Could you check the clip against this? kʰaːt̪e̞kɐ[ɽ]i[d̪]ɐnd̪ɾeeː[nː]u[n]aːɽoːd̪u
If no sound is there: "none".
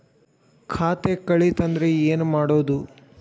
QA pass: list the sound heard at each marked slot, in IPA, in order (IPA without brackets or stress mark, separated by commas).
ɭ, t̪, n, m